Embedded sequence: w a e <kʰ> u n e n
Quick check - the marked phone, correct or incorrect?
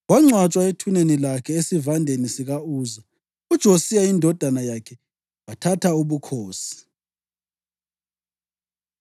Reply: incorrect: tʰ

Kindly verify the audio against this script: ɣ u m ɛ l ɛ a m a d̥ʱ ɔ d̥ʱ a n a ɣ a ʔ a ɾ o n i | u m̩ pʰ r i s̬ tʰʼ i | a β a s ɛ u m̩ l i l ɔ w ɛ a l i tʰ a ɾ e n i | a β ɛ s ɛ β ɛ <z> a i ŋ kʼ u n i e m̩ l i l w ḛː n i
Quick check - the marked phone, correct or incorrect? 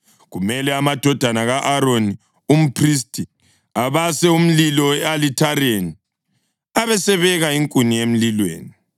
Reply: incorrect: ɣ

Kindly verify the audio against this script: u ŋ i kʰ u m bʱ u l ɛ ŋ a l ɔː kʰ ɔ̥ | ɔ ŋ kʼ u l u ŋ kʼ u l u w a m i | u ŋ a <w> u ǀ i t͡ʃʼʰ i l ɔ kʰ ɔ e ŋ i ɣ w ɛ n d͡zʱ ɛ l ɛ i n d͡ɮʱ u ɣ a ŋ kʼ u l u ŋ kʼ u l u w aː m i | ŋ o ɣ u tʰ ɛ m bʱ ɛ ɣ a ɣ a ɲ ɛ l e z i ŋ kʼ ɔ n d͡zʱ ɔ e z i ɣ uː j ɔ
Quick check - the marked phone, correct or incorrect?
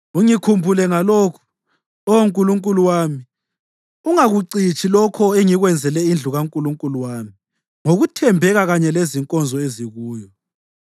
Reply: incorrect: ɣ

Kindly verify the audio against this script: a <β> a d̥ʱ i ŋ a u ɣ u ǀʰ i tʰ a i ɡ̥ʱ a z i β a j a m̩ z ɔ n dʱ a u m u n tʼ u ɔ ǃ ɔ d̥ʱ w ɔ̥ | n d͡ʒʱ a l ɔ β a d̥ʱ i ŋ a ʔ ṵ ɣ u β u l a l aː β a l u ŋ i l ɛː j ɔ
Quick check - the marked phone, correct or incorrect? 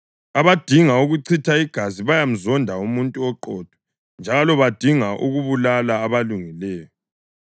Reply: correct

